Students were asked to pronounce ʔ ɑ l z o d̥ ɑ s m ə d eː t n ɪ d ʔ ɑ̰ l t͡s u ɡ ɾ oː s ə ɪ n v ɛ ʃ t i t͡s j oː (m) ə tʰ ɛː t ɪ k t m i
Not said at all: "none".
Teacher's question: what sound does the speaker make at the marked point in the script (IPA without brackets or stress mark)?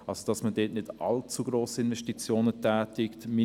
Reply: n